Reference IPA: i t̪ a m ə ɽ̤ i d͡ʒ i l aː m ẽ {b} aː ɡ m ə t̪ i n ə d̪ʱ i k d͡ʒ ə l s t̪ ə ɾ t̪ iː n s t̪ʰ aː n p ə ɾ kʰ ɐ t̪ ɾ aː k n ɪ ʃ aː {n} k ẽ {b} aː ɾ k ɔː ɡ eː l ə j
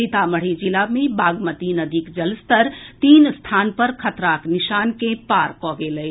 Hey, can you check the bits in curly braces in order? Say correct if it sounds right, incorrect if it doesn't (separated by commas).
correct, correct, incorrect